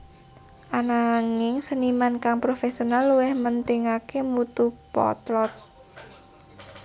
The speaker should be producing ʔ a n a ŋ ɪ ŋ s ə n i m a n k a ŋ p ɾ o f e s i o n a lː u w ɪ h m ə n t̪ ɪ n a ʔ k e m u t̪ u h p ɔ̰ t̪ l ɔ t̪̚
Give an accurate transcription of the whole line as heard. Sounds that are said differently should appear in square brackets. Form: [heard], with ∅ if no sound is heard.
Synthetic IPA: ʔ a n a ŋ ɪ ŋ s ə n i m a n k a ŋ p ɾ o f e s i o n a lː u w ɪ h m ə n t̪ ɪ [ŋ] a [∅] k e m u t̪ u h p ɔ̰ t̪ l ɔ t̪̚